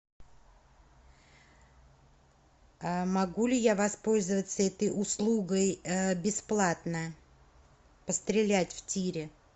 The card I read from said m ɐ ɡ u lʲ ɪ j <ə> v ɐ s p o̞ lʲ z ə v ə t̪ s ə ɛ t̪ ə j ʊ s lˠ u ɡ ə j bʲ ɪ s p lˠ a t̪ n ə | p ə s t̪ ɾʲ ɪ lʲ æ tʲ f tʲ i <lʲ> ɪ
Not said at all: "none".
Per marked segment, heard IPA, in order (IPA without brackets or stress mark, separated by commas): a, ɾʲ